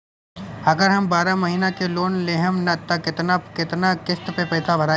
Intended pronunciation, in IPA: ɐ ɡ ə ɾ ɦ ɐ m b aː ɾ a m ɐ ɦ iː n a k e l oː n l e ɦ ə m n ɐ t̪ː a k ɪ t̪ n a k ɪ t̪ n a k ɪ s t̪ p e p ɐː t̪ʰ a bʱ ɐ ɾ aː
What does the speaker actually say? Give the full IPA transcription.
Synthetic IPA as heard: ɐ ɡ ə ɾ ɦ ɐ m b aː ɾ a m ɐ ɦ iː n a k e l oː n l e ɦ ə m n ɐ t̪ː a k ɪ t̪ n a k ɪ t̪ n a k ɪ s t̪ p e p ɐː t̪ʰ a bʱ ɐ ɾ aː